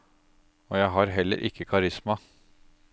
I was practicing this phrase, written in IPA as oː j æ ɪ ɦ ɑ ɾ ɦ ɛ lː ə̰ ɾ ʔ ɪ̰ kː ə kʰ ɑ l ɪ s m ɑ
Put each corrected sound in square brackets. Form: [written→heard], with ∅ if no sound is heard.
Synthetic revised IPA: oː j æ ɪ ɦ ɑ ɾ ɦ ɛ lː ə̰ ɾ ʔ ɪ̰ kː ə kʰ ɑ [l→ɾ] ɪ s m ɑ